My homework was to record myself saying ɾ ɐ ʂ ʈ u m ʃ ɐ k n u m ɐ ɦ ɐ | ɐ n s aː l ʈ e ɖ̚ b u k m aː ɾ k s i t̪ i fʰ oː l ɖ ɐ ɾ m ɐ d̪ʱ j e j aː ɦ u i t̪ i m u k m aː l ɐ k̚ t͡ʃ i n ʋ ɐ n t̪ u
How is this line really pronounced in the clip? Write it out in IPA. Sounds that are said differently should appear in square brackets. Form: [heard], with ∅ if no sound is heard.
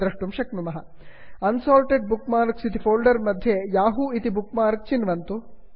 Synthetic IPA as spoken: ɾ ɐ ʂ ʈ u m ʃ ɐ k n u m ɐ ɦ ɐ | ɐ n s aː l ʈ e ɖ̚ b u k m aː ɾ k s i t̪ i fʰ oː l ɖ ɐ ɾ m ɐ d̪ʱ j e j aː ɦ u i t̪ i [b] u k m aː [ɾ] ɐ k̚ t͡ʃ i n ʋ ɐ n t̪ u